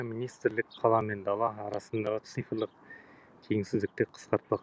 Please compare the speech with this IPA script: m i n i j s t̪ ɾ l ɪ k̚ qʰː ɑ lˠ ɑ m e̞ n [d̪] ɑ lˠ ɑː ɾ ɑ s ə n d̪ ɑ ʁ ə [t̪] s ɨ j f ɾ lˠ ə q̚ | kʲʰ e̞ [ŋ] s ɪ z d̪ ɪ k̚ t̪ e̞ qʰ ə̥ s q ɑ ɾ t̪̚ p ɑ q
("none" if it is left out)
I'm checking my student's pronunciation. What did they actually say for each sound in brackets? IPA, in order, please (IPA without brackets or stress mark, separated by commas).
d̪, t̪, ŋ